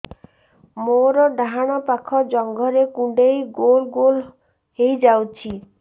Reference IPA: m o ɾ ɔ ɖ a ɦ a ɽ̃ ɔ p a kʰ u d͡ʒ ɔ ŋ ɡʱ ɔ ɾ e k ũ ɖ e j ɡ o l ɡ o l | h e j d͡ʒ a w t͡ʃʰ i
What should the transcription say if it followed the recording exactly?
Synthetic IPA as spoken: m o ɾ ɔ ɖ a ɦ a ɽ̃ ɔ p a kʰ ɔ d͡ʒ ɔ ŋ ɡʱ ɔ ɾ e k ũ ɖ e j ɡ o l ɡ o l | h e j d͡ʒ a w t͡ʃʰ i